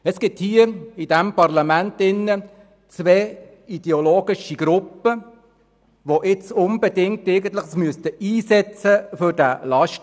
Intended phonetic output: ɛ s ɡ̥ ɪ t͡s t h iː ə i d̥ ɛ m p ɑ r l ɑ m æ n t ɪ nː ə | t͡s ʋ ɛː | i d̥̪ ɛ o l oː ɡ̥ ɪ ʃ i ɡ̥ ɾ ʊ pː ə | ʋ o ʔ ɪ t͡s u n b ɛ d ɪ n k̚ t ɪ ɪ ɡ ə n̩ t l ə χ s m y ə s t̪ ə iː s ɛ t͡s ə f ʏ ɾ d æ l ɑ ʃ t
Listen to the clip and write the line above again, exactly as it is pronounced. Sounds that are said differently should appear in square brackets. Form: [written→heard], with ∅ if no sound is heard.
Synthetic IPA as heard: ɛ s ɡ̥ ɪ [t͡s→∅] t h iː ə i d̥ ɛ m p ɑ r l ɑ m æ n t ɪ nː ə | t͡s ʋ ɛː | i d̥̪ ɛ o l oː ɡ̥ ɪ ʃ i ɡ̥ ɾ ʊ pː ə | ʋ o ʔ ɪ t͡s [u→ʊ] n b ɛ d ɪ [n→ŋ] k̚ t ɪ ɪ ɡ ə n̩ t l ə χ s m y ə s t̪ ə iː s ɛ t͡s ə f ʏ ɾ d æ l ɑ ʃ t

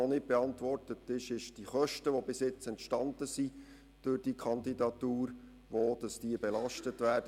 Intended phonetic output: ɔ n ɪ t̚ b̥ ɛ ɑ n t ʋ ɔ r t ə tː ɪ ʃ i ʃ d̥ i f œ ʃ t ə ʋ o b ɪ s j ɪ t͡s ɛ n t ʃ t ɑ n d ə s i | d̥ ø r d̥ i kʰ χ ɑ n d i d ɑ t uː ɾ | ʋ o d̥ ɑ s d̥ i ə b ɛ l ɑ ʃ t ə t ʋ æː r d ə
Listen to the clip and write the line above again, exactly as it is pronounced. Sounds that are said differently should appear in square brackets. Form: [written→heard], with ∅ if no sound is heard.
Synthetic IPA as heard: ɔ n ɪ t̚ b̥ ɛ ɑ n t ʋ ɔ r t ə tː ɪ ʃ [i→ɪ] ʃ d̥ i [f→χ] œ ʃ t ə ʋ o b ɪ s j ɪ t͡s ɛ n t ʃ t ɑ n d ə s i | d̥ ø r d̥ i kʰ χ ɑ n d i d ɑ t uː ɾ | ʋ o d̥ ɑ s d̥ i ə b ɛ l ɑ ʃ t ə t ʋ æː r d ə

